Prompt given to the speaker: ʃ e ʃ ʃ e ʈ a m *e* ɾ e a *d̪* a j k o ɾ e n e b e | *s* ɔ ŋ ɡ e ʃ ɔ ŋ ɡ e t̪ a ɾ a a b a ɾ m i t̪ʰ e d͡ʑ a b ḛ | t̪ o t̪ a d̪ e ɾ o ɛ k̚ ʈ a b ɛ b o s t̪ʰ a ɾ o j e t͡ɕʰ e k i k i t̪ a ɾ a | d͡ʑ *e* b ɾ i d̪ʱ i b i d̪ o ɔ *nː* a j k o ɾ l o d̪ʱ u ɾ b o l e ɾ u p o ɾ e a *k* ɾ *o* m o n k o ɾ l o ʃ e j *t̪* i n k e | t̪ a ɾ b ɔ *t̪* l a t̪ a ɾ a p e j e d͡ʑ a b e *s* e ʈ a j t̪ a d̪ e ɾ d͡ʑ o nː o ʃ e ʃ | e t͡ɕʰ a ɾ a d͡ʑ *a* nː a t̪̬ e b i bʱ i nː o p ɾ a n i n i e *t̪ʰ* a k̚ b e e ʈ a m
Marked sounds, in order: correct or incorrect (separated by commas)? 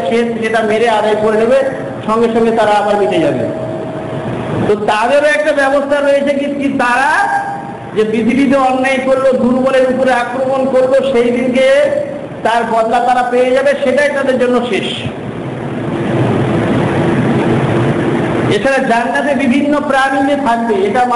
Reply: correct, correct, incorrect, correct, correct, correct, correct, incorrect, incorrect, incorrect, correct, correct